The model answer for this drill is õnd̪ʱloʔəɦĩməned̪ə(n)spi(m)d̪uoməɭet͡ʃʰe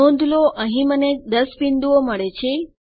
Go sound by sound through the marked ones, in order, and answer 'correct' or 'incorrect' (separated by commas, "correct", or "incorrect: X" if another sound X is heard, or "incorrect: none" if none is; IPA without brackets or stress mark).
incorrect: none, incorrect: n